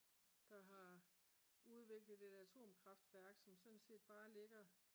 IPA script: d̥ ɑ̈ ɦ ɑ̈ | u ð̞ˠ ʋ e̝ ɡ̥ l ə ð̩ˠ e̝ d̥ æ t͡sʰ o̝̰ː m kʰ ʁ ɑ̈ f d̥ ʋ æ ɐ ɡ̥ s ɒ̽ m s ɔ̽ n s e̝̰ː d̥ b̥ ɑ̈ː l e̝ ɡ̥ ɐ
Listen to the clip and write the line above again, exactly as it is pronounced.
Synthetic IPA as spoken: d̥ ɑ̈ ɦ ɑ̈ | u ð̞ˠ ʋ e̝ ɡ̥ l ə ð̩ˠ e̝ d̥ æ t͡sʰ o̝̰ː m kʰ ʁ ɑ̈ f d̥ ʋ æ ɐ ɡ̥ s ɒ̽ m s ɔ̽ n s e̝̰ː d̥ b̥ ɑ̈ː l e̝ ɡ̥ ɐ